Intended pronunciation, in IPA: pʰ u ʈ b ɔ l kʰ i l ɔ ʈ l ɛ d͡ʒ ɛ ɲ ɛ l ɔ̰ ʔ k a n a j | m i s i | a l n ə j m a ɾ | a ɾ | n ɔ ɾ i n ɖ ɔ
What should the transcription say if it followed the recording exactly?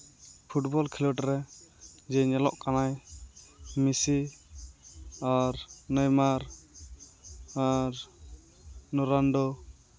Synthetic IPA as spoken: pʰ u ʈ b ɔ l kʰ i l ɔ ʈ ɾ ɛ d͡ʒ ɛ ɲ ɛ l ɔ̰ ʔ k a n a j | m i s i | a ɾ n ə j m a ɾ | a ɾ | n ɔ ɾ a n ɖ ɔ